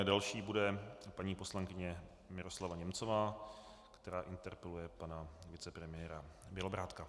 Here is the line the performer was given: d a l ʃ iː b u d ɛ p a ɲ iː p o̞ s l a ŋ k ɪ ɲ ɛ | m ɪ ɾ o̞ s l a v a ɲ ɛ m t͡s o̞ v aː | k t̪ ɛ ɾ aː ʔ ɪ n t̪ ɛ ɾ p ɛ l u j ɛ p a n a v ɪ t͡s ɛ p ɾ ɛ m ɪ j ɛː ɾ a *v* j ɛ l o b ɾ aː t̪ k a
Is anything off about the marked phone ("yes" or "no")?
yes